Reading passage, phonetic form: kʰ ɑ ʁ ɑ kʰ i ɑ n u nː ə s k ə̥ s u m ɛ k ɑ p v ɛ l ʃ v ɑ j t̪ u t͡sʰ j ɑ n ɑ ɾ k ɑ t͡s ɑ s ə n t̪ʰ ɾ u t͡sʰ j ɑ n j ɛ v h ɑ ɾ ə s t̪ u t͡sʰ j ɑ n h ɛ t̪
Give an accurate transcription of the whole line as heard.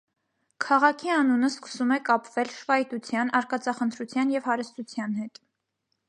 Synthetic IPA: kʰ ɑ ʁ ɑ kʰ i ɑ n u n ə s k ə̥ s u m ɛ k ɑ p v ɛ l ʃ v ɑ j t̪ u t͡sʰ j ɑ n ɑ ɾ k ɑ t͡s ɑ χ ə n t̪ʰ ɾ u t͡sʰ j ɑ n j ɛ v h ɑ ɾ ə s t̪ u t͡sʰ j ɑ n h ɛ t̪